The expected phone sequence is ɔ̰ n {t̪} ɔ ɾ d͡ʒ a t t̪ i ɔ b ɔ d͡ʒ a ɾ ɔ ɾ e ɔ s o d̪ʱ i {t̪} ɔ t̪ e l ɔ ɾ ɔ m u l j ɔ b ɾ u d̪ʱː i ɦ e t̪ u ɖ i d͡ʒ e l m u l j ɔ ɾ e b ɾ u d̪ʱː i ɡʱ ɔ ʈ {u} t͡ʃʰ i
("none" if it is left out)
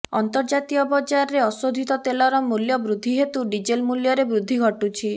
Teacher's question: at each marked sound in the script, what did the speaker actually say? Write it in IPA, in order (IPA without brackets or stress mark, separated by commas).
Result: t̪, t̪, u